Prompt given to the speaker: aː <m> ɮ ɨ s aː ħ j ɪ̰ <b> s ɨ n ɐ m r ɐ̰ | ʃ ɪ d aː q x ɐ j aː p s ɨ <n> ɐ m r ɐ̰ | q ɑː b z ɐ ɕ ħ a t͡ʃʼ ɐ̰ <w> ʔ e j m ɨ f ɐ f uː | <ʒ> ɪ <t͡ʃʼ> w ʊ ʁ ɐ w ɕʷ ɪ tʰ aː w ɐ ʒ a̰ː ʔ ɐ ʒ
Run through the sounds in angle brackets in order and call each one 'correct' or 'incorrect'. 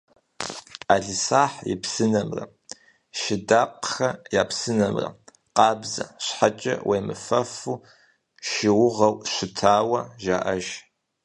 incorrect, incorrect, correct, correct, incorrect, incorrect

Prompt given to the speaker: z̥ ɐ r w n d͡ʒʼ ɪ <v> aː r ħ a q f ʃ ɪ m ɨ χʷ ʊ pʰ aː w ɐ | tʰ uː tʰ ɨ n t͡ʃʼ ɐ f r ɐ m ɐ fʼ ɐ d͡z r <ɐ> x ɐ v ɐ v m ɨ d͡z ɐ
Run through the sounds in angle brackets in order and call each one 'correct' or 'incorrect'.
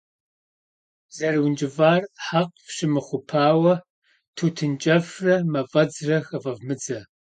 correct, correct

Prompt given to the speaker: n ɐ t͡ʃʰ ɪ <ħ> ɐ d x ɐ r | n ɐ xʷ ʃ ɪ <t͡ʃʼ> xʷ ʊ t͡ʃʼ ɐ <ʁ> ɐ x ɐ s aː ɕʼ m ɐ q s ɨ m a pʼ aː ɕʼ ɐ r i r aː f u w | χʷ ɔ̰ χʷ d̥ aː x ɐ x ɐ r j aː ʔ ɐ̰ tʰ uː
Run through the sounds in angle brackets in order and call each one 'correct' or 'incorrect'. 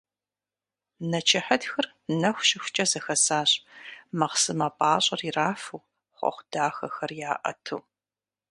correct, incorrect, incorrect

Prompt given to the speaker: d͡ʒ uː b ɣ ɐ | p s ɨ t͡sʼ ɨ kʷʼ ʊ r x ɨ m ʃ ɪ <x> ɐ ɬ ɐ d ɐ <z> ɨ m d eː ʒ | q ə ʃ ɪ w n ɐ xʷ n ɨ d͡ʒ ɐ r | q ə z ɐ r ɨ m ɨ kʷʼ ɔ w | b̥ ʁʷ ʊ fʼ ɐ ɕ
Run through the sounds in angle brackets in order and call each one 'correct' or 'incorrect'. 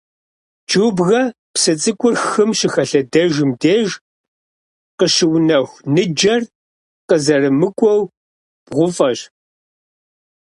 correct, incorrect

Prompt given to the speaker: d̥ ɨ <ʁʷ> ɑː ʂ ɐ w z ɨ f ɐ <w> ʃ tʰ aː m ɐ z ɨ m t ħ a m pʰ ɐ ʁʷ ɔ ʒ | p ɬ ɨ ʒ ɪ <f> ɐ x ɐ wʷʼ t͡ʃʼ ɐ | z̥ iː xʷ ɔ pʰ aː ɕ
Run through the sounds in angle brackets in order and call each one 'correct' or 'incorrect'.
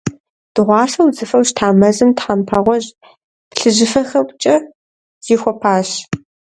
correct, correct, correct

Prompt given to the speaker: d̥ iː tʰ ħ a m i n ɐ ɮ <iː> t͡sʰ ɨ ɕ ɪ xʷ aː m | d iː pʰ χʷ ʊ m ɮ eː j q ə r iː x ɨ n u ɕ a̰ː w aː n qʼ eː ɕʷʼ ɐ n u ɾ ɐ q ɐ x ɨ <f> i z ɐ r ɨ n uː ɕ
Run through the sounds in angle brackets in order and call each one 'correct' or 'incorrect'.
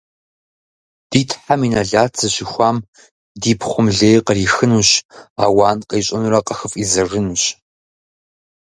incorrect, correct

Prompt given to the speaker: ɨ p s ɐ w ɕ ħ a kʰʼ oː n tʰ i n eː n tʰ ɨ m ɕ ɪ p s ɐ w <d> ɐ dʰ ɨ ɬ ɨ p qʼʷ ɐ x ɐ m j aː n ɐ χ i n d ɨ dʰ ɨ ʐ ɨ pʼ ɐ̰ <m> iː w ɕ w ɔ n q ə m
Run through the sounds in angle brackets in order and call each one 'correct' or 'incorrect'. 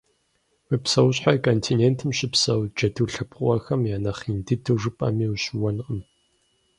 incorrect, correct

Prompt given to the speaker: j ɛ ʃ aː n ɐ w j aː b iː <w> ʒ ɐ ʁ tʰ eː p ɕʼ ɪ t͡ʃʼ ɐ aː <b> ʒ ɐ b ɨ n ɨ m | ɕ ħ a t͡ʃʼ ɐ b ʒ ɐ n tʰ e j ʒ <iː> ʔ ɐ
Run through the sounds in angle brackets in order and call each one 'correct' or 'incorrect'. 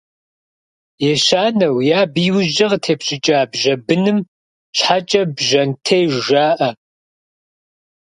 correct, correct, incorrect

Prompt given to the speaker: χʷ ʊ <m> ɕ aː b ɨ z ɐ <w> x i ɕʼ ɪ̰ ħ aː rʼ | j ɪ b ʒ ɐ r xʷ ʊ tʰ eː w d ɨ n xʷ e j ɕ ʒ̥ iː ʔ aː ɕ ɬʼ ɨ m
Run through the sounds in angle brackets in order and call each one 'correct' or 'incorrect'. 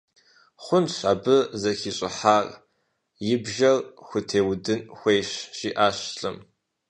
incorrect, incorrect

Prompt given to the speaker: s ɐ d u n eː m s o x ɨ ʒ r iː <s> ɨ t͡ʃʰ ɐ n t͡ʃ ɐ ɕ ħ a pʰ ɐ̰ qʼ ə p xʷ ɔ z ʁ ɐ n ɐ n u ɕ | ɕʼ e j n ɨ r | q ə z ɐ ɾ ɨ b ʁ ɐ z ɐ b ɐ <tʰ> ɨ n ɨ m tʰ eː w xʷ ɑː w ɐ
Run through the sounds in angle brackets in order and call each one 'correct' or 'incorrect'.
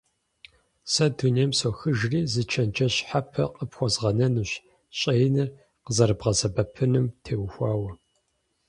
incorrect, incorrect

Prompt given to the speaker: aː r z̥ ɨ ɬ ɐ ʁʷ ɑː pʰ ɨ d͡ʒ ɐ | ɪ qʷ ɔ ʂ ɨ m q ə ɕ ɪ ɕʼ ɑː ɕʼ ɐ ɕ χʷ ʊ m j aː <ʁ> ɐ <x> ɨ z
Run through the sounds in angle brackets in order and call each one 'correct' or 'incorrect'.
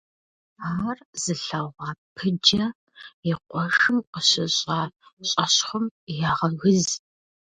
correct, incorrect

